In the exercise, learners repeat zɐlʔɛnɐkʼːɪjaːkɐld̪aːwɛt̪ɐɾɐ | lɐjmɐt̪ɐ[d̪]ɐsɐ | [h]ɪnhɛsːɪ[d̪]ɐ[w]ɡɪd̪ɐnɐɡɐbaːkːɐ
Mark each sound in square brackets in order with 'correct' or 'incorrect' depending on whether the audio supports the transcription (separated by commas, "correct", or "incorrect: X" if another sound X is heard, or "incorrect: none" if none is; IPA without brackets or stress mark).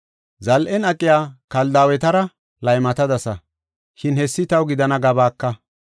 correct, incorrect: ʃ, incorrect: t̪, correct